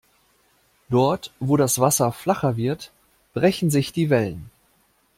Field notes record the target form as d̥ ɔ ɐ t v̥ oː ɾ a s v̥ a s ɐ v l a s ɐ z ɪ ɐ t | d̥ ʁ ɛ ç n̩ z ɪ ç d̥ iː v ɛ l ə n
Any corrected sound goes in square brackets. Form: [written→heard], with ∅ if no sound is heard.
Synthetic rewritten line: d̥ ɔ ɐ t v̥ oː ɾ a s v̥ a s ɐ [v→f] l a [s→χ] ɐ [z→v] ɪ ɐ t | [d̥→b̥] ʁ ɛ ç n̩ z ɪ ç d̥ iː v ɛ l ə n